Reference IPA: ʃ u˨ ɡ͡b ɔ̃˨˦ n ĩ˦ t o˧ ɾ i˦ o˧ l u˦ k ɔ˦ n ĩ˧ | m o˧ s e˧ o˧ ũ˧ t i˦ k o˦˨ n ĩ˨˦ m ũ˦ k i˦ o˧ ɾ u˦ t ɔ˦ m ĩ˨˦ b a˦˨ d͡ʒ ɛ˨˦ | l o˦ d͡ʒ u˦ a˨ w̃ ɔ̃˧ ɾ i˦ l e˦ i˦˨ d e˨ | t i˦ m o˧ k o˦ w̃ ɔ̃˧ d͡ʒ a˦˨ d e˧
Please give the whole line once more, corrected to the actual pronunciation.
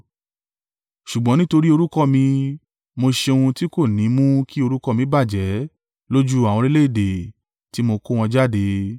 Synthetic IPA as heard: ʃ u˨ ɡ͡b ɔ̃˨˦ n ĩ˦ t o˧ ɾ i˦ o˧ ɾ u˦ k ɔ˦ m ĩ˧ | m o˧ ʃ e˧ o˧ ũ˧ t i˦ k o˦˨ n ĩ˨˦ m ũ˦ k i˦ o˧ ɾ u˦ k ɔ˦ m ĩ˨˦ b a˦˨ d͡ʒ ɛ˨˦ | l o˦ d͡ʒ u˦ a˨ w̃ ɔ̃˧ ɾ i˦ l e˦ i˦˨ d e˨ | t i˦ m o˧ k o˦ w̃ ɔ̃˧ d͡ʒ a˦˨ d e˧